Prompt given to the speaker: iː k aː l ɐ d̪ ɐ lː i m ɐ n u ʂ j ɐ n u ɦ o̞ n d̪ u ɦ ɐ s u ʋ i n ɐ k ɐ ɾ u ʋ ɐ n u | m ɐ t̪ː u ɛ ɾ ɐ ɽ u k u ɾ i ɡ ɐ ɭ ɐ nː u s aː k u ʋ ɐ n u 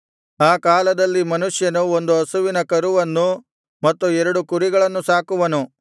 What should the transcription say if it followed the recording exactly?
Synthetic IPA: aː k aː l ɐ d̪ ɐ lː i m ɐ n u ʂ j ɐ n u o̞ n d̪ u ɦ ɐ s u ʋ i n ɐ k ɐ ɾ u ʋ ɐ nː u | m ɐ t̪ː u ɛ ɾ ɐ ɽ u k u ɾ i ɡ ɐ ɭ ɐ nː u s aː k u ʋ ɐ n u

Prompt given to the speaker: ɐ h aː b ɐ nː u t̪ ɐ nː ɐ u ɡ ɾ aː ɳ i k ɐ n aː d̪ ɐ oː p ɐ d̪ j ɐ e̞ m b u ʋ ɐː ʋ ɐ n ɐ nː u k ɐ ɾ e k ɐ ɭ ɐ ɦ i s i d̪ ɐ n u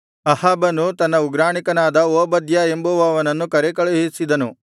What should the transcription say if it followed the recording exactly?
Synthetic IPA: ɐ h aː b ɐ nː u t̪ ɐ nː ɐ u ɡ ɾ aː ɳ i k ɐ n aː d̪ ɐ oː b ɐ d̪ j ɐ e̞ m b u ʋ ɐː ʋ ɐ n ɐ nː u k ɐ ɾ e k ɐ ɭ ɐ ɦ i s i d̪ ɐ n u

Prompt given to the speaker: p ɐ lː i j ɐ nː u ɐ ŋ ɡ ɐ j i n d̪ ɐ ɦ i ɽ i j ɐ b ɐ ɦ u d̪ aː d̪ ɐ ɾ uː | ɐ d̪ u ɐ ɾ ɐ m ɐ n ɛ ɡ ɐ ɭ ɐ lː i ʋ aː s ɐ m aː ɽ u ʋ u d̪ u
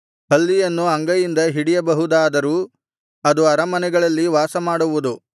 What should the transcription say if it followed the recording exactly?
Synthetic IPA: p ɐ lː i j ɐ nː u ɐ ŋ ɡ ɐ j i n d̪ ɐ ɦ i ɽ i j ɐ b ɐ ɦ u d̪ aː d̪ ɐ ɾ uː | ɐ d̪ u ɐ ɾ ɐ m ɐ n ɛ ɡ ɐ ɭ ɐ lː i ʋ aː s ɐ m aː ɽ u ʋ u d̪ u

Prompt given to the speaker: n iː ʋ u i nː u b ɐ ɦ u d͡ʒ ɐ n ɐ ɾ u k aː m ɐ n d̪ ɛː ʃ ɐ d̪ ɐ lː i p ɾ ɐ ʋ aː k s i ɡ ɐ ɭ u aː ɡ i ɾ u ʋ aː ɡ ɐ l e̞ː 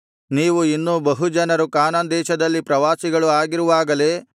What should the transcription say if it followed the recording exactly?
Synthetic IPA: n iː ʋ u i nː u b ɐ ɦ u d͡ʒ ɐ n ɐ ɾ u k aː n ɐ n d̪ ɛː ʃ ɐ d̪ ɐ lː i p ɾ ɐ ʋ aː s i ɡ ɐ ɭ u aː ɡ i ɾ u ʋ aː ɡ ɐ l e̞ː

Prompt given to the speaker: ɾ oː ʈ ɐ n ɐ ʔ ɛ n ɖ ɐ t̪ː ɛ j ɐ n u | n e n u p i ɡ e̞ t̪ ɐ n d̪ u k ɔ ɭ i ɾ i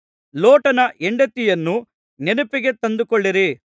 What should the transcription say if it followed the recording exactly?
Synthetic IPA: l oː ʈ ɐ n ɐ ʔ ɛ ɳ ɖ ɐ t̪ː i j ɐ nː u | n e n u p i ɡ e̞ t̪ ɐ n d̪ u k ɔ ɭː i ɾ i

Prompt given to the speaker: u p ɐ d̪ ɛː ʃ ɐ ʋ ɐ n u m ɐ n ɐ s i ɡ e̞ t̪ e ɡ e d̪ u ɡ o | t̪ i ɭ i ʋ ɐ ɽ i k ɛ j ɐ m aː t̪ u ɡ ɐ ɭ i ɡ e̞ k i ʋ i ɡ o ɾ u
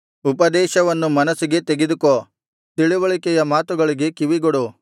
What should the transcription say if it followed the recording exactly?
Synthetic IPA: u p ɐ d̪ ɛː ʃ ɐ ʋ ɐ nː u m ɐ n ɐ s i ɡ e̞ t̪ e ɡ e d̪ u k o | t̪ i ɭ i ʋ ɐ ɭ i k ɛ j ɐ m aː t̪ u ɡ ɐ ɭ i ɡ e̞ k i ʋ i ɡ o ɽ u

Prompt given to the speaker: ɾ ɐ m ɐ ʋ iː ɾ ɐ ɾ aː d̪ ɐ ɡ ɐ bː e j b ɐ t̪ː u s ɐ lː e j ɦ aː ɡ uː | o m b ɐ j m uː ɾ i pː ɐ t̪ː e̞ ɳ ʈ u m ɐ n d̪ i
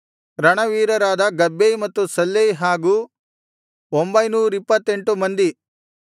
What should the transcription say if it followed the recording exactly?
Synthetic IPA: ɾ ɐ ɳ ɐ ʋ iː ɾ ɐ ɾ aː d̪ ɐ ɡ ɐ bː e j m ɐ t̪ː u s ɐ lː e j ɦ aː ɡ uː | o m b ɐ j n uː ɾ i pː ɐ t̪ː e̞ ɳ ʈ u m ɐ n d̪ i

